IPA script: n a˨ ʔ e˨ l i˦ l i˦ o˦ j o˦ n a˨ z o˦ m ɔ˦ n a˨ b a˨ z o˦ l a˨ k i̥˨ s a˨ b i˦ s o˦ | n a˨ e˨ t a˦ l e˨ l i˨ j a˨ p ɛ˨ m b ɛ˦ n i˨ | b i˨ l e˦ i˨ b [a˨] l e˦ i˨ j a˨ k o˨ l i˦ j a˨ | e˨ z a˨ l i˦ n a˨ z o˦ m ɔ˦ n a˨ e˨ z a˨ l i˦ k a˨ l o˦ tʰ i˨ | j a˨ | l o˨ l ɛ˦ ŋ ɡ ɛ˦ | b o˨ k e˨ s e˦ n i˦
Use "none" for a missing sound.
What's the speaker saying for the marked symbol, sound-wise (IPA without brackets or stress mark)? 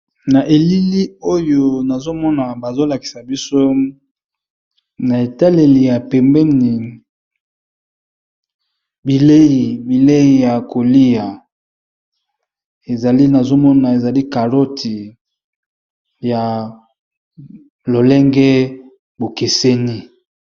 i˨